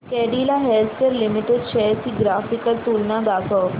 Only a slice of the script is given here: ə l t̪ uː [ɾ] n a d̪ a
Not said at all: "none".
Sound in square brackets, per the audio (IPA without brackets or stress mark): l